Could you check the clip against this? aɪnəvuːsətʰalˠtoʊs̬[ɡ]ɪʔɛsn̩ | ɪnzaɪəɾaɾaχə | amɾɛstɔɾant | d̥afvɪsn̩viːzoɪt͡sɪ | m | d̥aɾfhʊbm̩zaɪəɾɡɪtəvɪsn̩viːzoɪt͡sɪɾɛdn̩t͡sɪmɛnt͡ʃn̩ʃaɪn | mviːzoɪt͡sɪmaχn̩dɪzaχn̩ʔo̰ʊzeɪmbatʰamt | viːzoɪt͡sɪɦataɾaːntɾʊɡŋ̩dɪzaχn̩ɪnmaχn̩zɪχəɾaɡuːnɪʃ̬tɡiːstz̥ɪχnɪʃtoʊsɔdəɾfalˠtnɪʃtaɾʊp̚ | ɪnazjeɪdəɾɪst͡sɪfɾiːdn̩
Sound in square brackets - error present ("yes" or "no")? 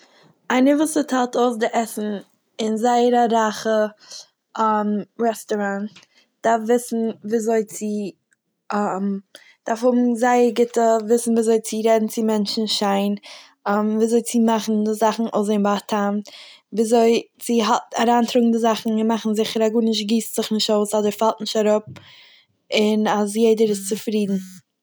yes